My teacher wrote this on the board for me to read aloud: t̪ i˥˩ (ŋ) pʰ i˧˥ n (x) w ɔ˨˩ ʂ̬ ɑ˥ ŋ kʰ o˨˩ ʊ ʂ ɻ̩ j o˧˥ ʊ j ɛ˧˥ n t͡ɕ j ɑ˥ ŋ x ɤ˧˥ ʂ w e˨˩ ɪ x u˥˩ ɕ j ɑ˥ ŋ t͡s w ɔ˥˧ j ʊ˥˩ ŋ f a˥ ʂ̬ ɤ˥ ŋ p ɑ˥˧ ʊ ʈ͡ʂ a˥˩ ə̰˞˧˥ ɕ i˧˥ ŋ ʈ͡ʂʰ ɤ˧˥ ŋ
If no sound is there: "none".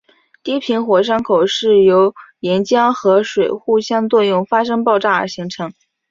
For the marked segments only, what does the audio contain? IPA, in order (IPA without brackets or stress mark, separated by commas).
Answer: none, x